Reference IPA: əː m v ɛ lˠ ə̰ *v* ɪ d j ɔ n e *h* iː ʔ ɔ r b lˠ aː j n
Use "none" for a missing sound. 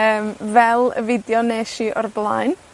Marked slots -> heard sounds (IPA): v, ʃ

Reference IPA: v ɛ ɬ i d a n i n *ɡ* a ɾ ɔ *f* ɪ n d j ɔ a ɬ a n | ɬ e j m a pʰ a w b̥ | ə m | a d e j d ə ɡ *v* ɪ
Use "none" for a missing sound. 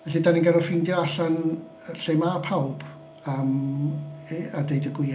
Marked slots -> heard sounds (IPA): ɡ, f, w

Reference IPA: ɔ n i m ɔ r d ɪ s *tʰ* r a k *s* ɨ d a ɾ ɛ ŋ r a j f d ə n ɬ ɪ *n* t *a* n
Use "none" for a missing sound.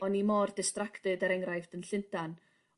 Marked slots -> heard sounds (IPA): t, t, n, a

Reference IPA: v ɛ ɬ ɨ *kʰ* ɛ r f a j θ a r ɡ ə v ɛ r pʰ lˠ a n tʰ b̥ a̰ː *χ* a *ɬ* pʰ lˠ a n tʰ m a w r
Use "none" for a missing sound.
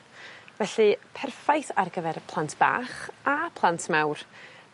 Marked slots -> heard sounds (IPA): pʰ, χ, none

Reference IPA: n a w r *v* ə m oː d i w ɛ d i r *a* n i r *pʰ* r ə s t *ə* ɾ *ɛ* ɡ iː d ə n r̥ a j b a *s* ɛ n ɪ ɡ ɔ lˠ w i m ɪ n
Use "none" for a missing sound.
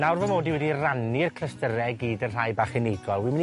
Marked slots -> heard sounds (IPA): v, a, kʰ, ə, ɛ, χ

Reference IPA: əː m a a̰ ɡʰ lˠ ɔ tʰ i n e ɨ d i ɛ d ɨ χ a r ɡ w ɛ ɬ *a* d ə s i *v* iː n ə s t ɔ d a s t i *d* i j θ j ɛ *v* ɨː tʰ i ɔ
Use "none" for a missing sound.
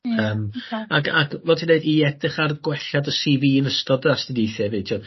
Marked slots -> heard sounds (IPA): a, v, d, v

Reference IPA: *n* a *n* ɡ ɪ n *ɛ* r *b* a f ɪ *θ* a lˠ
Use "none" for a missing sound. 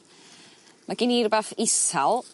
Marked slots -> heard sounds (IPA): m, none, i, b, s

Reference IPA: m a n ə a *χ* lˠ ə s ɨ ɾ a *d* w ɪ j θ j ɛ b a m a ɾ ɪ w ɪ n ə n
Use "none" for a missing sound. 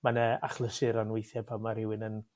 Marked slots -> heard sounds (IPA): χ, n

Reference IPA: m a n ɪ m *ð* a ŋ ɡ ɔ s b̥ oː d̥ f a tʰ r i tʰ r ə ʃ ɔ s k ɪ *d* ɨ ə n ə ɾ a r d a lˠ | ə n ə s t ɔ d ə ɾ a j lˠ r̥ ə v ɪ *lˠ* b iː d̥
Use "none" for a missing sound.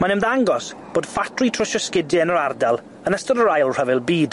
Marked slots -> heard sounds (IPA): ð, d, lˠ

